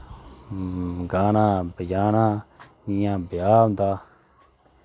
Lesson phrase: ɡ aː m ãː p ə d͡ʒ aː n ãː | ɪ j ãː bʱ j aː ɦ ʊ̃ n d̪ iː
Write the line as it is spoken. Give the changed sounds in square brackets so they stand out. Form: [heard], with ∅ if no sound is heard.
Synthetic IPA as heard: ɡ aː [n] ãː [b] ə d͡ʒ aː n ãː | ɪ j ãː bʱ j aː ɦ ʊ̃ n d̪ [aː]